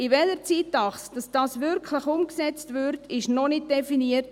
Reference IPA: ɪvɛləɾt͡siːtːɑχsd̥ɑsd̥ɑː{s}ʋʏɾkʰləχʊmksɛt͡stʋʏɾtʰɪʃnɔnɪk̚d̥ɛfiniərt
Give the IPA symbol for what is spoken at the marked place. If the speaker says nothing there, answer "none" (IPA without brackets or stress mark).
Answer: s